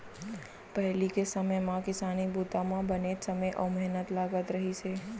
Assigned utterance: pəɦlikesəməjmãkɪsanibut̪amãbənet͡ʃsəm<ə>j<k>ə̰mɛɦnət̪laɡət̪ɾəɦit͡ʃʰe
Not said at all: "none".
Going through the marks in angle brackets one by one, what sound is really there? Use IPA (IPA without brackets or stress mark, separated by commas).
ə, ʔ